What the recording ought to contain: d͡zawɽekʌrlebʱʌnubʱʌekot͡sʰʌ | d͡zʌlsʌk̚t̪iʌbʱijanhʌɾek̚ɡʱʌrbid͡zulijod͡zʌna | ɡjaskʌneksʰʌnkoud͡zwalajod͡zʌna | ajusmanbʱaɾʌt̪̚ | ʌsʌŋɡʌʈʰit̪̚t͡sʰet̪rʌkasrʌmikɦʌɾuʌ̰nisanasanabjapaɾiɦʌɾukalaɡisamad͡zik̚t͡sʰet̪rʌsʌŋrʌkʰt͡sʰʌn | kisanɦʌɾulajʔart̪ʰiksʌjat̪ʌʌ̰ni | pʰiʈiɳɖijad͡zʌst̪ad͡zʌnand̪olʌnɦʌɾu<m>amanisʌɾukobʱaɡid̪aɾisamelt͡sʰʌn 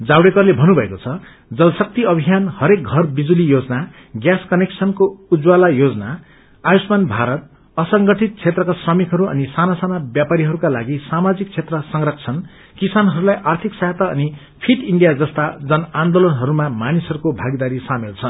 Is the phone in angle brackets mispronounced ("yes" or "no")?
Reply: no